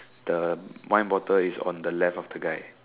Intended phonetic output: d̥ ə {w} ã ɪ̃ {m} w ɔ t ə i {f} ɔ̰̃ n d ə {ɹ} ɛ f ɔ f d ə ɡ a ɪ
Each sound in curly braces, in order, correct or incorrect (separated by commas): correct, incorrect, incorrect, incorrect